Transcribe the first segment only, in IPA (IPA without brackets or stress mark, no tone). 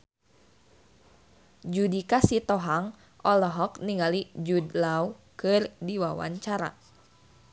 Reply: d͡ʒ